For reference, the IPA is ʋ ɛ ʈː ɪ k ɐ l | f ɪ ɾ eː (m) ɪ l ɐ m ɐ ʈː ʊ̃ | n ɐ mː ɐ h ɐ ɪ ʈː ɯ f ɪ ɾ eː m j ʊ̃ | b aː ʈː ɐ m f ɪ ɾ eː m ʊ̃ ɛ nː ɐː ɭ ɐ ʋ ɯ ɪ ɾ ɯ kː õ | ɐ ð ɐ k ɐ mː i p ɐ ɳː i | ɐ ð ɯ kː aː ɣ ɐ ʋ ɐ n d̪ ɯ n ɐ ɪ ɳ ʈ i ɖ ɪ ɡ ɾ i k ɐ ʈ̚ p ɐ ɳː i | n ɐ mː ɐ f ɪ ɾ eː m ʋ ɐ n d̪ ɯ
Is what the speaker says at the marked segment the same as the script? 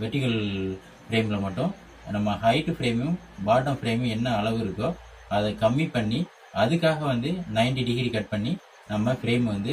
yes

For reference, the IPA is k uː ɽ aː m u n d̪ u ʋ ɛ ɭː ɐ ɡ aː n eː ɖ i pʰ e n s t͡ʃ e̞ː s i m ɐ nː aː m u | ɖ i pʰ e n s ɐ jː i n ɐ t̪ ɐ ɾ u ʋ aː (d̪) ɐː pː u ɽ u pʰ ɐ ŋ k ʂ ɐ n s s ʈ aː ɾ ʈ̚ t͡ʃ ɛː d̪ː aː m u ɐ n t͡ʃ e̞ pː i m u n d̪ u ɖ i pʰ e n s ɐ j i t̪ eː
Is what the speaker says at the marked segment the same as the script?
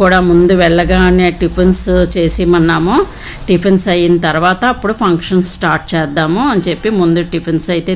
no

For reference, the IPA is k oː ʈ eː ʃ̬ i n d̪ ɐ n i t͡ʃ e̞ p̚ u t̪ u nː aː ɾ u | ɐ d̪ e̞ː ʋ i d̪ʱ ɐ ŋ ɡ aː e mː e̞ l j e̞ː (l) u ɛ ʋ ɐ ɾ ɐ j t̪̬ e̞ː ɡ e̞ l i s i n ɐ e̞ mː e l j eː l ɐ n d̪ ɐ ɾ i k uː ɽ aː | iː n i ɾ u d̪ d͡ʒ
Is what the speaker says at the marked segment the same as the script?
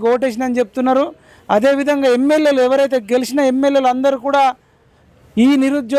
yes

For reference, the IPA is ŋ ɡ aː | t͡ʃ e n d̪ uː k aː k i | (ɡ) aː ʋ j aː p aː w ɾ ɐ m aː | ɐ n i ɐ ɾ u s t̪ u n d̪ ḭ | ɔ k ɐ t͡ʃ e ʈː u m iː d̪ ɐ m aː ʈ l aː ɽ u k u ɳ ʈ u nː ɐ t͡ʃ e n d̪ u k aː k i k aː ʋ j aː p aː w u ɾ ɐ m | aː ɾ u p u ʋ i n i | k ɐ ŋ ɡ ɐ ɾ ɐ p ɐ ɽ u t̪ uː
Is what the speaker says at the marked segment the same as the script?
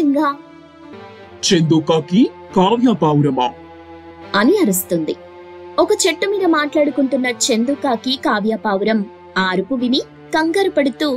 no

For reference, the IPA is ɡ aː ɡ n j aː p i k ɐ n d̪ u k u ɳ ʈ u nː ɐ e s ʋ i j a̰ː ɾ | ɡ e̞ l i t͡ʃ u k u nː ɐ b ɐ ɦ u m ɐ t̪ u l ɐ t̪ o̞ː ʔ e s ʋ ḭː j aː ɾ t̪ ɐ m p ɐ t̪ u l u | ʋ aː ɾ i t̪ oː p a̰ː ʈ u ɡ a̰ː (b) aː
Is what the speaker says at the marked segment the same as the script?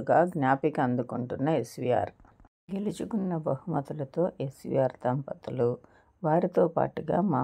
no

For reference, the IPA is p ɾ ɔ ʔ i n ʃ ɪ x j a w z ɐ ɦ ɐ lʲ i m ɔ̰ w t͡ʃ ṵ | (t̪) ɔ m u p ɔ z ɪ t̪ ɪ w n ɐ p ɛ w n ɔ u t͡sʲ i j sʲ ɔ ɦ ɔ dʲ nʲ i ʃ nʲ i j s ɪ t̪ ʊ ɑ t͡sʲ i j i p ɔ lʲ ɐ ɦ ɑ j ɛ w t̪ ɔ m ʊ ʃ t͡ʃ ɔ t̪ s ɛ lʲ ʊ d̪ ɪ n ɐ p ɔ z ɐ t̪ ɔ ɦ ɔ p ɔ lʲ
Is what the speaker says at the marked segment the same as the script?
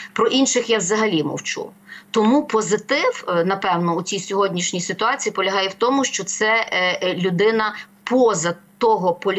yes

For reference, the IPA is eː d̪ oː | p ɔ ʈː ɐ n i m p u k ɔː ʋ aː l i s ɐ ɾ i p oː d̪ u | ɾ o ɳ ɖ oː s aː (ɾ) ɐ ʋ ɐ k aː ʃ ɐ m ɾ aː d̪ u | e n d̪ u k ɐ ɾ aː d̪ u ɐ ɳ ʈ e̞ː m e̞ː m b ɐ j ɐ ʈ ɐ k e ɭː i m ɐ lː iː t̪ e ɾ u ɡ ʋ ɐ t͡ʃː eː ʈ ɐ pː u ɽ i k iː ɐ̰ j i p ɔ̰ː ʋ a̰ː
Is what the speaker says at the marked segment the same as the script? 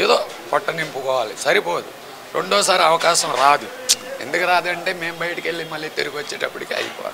yes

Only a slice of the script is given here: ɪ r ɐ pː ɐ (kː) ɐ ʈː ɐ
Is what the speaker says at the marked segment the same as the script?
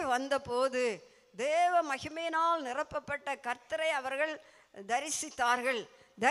no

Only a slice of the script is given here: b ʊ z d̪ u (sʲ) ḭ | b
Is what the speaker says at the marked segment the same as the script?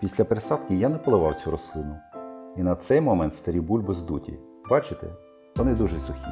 no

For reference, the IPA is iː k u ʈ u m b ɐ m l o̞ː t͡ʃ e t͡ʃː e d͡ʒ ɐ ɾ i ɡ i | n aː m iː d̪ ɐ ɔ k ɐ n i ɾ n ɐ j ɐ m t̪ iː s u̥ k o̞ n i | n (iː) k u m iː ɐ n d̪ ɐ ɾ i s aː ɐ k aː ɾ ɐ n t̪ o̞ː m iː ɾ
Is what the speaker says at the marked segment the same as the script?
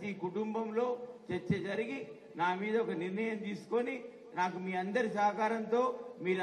no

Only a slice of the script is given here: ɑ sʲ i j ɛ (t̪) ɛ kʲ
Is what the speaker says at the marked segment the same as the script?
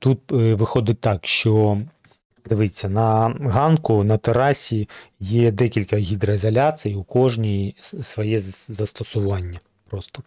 no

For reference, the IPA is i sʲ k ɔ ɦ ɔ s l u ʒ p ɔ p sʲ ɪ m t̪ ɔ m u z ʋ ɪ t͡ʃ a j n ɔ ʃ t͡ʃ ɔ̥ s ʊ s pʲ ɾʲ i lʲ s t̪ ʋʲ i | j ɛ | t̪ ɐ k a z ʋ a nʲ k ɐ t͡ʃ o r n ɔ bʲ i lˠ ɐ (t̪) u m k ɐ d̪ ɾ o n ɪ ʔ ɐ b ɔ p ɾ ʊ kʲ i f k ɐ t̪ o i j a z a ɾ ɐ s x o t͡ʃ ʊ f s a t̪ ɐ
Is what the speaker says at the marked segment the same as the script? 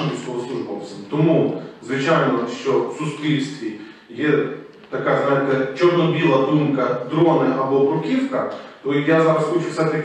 no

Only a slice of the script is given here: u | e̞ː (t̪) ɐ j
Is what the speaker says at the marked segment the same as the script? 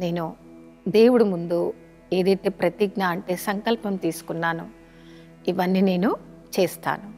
no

